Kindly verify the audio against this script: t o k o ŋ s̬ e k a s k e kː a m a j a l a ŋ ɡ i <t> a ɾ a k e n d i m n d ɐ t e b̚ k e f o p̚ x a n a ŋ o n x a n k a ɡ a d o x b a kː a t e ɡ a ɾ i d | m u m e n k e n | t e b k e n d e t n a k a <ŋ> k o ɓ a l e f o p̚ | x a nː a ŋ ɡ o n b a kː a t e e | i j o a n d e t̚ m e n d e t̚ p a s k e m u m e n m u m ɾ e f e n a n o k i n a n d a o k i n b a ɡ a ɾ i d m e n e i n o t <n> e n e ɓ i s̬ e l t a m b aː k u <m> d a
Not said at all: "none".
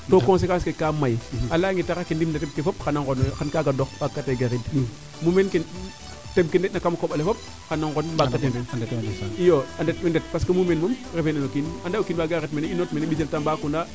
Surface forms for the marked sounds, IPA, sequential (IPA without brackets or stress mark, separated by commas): t, m, m, n